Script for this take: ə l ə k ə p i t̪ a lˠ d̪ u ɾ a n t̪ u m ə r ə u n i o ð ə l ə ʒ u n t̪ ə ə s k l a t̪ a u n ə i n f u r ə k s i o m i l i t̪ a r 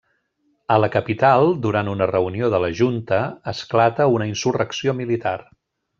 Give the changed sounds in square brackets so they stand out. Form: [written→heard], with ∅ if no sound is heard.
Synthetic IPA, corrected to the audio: ə l ə k ə p i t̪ a lˠ d̪ u ɾ a n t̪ u [m→n] ə r ə u n i o ð ə l ə ʒ u n t̪ ə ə s k l a t̪ [a→ə] u n ə i n [f→s] u r ə k s i o m i l i t̪ a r